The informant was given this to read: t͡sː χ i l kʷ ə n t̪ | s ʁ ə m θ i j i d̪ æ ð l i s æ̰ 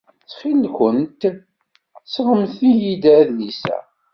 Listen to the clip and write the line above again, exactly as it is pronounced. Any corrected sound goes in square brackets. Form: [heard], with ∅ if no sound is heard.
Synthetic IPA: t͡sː χ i l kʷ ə n t̪ | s ʁ ə m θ i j i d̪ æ ð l i s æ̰

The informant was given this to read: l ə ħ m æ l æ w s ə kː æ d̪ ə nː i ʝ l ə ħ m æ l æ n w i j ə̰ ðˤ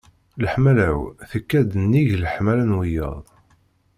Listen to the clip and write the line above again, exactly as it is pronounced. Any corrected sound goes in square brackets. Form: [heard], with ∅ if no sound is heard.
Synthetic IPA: l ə ħ m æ l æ w [θ] ə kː æ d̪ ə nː i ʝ l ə ħ m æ l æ n w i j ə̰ ðˤ

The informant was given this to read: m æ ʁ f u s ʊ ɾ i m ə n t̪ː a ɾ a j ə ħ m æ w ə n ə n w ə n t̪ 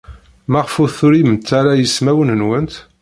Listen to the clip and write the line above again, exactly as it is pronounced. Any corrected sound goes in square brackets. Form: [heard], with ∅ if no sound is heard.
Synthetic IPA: m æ ʁ f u [θ] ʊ ɾ i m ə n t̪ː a ɾ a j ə [s] m æ w ə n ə n w ə n t̪

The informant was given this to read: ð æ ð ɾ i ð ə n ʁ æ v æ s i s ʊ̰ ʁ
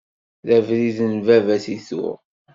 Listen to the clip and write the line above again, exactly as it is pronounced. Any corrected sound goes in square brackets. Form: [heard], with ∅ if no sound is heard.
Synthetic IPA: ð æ [v] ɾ i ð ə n [v] æ v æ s i [θ] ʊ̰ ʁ

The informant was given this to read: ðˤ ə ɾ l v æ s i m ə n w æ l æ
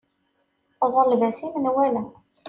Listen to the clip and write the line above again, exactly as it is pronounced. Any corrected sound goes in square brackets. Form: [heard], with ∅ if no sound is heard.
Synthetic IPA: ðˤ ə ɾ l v æ s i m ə n w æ l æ

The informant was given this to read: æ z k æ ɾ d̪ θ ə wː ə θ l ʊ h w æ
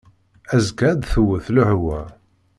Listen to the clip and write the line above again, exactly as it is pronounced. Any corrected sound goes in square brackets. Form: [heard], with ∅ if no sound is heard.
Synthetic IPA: æ z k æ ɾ d̪ θ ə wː ə θ l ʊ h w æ

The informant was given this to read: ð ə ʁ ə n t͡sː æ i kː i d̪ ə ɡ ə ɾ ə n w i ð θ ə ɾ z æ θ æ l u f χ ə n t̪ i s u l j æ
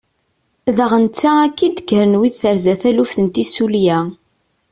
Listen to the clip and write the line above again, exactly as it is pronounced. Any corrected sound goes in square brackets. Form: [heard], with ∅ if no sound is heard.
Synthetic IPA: ð ə ʁ ə n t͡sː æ [æ] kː i d̪ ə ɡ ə ɾ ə n w i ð θ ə ɾ z æ θ æ l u f [θ] ə n t̪ i s u l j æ

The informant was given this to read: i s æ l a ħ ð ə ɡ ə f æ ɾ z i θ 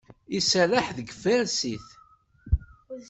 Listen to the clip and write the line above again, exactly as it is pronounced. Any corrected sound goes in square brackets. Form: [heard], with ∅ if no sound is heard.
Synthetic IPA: i s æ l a ħ ð ə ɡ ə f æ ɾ [s] i θ

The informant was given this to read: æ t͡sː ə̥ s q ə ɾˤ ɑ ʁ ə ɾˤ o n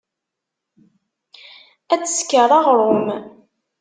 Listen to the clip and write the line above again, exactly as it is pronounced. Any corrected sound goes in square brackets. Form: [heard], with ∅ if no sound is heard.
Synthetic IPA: æ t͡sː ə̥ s [k] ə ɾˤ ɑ ʁ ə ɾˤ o [m]

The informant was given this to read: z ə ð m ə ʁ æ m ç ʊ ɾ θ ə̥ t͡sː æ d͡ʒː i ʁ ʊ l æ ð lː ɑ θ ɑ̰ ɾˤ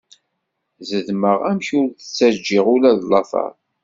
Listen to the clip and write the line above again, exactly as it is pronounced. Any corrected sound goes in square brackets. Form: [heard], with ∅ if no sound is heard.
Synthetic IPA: z ə ð m ə ʁ æ m ç ʊ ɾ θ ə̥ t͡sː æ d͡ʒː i ʁ ʊ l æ ð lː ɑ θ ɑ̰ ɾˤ

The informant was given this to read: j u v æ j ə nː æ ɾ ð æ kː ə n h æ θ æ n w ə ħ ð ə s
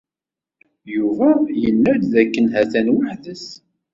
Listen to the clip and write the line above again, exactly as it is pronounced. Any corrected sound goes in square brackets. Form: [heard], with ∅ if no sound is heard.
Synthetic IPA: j u v æ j ə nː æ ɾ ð æ kː ə n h æ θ æ n w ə ħ ð ə s

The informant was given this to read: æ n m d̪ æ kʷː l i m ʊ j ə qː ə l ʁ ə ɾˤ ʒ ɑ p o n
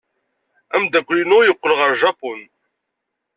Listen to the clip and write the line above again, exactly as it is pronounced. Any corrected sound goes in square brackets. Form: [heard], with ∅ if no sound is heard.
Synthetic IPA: æ [∅] m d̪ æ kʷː l i [n] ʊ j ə qː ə l ʁ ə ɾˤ ʒ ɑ p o n

